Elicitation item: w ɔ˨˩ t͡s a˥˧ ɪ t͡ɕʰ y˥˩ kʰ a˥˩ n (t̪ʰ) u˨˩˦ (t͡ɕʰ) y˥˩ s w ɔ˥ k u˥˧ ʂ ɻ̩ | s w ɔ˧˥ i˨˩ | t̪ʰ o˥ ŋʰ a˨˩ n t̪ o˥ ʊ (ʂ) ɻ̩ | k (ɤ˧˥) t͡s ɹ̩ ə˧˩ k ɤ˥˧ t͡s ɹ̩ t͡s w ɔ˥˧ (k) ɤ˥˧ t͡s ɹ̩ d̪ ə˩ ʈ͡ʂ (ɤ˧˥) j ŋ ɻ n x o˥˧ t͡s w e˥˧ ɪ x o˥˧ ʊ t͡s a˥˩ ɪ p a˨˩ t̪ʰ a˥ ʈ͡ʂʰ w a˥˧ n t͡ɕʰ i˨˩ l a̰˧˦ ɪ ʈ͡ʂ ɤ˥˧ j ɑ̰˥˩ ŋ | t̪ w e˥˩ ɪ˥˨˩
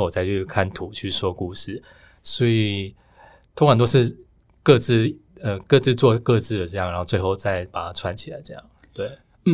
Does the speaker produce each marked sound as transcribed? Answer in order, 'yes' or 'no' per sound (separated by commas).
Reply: yes, yes, yes, no, yes, no